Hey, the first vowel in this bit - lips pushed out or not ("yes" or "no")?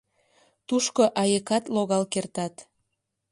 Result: yes